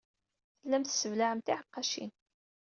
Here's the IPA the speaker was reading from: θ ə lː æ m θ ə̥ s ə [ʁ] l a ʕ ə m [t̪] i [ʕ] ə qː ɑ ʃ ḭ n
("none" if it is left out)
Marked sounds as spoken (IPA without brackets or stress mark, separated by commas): v, t̪, ʕ